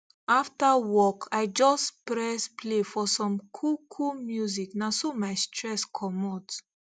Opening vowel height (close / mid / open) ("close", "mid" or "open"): open